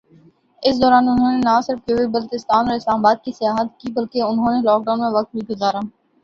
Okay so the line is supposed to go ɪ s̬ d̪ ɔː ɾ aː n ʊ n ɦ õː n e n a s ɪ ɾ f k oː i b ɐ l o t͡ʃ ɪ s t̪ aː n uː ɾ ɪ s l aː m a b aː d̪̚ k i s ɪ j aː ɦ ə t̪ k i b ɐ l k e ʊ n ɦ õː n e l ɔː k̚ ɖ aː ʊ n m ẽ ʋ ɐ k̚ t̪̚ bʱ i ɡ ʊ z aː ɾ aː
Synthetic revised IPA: ɪ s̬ d̪ ɔː ɾ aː n ʊ n ɦ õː n e n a s ɪ ɾ f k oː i b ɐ l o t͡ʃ ɪ s t̪ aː n ɔː ɾ ɪ s l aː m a b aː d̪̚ k i s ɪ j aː ɦ ə t̪ k i b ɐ l k e ʊ n ɦ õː n e l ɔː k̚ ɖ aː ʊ n m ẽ ʋ ɐ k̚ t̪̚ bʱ i ɡ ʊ z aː ɾ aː